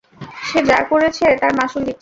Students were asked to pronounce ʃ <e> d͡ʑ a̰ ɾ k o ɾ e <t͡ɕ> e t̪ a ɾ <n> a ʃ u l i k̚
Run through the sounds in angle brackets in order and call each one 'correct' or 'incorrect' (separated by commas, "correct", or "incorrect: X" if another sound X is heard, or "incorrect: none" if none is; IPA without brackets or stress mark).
correct, incorrect: t͡ɕʰ, incorrect: m